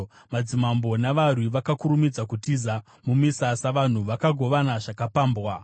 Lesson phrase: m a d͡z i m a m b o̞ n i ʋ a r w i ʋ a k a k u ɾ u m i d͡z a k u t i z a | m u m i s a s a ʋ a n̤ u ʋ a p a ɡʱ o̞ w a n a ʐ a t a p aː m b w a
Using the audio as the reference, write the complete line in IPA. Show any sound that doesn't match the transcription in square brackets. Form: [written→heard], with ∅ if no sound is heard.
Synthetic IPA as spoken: m a d͡z i m a m b o̞ n [i→a] ʋ a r w i ʋ a k a k u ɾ u m i d͡z a k u t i z a | m u m i s a s a ʋ a n̤ u ʋ a [p→k] a ɡʱ o̞ [w→ʋ] a n a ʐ a [t→k] a p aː m b w a